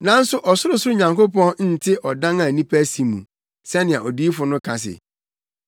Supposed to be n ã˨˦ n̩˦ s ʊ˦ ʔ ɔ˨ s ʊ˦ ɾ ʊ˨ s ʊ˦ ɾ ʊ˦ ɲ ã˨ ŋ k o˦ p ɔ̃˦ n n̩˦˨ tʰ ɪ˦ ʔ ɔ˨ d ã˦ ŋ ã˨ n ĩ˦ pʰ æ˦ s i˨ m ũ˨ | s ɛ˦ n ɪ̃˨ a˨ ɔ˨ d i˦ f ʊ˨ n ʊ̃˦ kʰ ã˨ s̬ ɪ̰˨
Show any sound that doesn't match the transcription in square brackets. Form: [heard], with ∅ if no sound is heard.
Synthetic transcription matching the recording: n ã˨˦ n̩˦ s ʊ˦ ʔ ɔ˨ s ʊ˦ ɾ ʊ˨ s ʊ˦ ɾ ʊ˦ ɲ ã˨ ŋ k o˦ p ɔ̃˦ n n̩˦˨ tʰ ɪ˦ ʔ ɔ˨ d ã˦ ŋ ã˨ n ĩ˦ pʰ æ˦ s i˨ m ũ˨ | s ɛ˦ n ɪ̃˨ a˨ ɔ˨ d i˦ f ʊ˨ n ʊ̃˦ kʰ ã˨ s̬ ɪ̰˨